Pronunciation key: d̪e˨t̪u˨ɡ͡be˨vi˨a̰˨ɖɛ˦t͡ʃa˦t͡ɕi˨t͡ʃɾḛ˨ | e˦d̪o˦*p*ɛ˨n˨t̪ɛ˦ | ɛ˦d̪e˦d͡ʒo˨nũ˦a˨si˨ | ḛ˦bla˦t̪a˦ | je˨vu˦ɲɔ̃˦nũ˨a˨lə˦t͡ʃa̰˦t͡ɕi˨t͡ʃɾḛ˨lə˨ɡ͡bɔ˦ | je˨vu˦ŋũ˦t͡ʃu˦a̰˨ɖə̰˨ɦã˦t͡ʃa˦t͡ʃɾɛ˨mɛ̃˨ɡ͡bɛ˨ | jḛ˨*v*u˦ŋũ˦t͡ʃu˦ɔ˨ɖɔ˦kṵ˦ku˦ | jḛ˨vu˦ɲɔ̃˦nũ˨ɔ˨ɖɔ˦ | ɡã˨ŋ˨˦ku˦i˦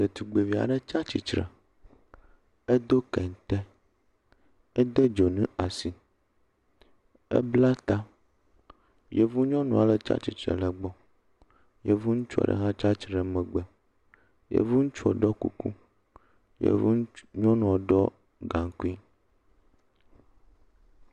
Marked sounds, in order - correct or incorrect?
incorrect, correct

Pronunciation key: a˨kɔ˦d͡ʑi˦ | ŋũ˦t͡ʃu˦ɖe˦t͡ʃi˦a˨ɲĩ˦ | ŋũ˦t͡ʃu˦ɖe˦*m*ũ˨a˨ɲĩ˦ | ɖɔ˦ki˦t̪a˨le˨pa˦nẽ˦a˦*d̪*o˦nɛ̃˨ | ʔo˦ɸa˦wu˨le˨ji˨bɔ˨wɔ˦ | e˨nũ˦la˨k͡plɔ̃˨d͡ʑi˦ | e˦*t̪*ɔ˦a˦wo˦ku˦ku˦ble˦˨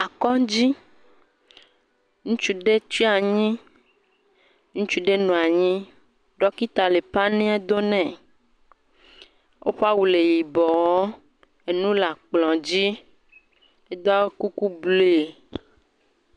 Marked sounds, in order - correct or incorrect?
incorrect, correct, incorrect

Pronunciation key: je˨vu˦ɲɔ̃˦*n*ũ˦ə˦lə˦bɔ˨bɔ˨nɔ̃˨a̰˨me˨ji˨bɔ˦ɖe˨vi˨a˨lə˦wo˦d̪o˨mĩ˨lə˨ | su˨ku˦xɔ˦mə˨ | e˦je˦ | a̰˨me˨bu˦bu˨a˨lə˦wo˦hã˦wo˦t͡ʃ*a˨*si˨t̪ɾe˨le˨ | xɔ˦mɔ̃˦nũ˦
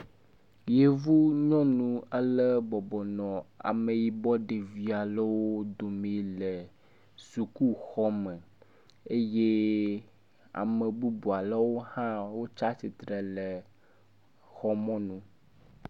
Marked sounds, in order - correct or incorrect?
correct, incorrect

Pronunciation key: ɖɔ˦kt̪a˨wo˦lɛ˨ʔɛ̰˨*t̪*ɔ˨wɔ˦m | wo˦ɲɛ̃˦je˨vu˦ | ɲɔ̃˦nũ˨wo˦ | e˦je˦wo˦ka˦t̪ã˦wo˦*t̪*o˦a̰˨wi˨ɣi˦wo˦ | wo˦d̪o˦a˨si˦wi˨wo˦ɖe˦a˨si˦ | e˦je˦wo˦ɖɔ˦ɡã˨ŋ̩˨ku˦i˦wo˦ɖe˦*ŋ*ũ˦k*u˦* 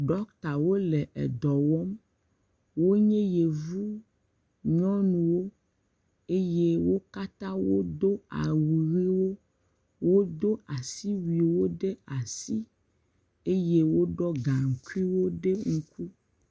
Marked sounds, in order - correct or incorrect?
incorrect, incorrect, correct, correct

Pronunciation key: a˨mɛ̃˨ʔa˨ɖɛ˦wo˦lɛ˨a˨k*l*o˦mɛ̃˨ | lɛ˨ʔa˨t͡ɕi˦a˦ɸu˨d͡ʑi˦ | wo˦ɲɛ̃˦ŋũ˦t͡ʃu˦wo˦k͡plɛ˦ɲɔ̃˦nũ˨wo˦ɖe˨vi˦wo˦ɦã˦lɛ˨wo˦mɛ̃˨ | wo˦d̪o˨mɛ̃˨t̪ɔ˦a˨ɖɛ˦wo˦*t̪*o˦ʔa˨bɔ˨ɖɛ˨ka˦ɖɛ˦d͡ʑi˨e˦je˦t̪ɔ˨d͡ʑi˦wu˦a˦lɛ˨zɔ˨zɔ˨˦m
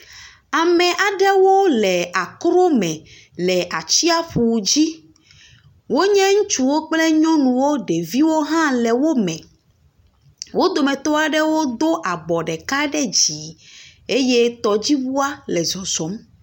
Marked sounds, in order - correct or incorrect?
incorrect, incorrect

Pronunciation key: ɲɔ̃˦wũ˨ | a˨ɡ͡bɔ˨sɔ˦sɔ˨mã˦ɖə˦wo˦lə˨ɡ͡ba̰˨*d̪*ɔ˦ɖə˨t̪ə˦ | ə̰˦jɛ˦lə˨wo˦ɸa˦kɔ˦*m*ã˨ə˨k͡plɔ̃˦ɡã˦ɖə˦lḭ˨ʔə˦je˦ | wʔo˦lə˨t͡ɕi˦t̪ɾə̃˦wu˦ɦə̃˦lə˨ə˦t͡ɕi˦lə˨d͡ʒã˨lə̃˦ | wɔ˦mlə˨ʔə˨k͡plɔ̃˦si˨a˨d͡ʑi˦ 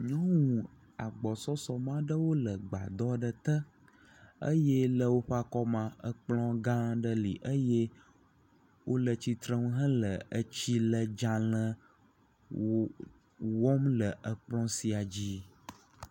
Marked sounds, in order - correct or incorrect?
correct, correct

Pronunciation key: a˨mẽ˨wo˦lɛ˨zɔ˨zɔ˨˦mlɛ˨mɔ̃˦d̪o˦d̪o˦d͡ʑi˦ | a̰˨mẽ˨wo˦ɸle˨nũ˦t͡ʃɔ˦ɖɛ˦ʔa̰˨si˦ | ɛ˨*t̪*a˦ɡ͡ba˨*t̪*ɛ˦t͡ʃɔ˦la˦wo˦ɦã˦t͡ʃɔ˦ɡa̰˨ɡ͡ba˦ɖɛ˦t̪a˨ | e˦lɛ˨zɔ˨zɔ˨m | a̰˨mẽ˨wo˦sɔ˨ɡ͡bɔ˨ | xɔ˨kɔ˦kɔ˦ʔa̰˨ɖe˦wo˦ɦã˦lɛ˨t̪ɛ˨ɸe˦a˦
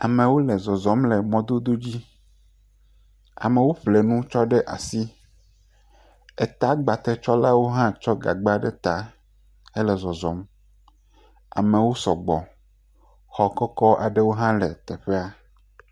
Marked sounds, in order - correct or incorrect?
correct, correct

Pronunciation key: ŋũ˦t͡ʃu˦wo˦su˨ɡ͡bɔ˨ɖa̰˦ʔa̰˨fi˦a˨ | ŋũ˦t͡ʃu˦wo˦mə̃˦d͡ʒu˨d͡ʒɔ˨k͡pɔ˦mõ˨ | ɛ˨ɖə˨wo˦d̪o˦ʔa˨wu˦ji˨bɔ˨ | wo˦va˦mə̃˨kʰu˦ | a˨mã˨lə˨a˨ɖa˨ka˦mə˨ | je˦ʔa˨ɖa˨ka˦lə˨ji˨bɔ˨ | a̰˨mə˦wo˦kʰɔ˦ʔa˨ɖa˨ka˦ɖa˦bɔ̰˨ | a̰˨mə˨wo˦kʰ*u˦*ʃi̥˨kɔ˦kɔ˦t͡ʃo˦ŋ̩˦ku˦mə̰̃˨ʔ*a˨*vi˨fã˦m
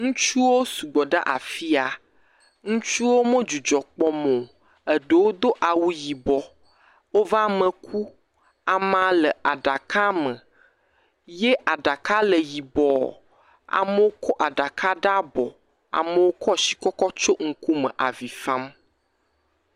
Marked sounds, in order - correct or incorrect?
incorrect, correct

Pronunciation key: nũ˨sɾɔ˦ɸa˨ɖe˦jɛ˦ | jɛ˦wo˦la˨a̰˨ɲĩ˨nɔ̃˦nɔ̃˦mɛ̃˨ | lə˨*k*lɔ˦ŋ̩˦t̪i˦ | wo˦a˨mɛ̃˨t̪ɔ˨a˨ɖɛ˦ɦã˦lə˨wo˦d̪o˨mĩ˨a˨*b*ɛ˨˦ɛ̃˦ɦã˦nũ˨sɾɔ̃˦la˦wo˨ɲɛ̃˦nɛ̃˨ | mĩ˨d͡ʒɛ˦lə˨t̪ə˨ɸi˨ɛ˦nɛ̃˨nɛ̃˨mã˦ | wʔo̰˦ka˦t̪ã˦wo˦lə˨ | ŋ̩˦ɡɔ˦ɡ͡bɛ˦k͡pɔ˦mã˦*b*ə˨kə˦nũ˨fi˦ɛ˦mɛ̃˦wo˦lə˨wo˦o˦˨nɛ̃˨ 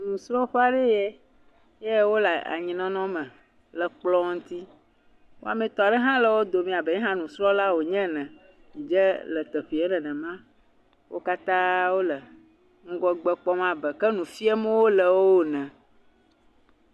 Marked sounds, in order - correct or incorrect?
incorrect, correct, correct

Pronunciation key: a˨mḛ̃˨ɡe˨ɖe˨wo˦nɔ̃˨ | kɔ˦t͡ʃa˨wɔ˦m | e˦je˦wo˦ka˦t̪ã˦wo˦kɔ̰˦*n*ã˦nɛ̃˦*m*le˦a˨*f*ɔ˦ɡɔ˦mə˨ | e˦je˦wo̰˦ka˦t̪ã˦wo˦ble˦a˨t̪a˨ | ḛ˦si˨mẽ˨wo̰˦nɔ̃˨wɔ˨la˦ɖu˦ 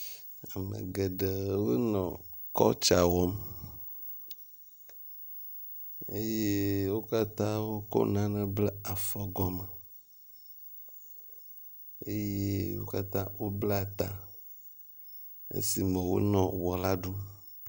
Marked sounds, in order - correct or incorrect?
correct, incorrect, correct

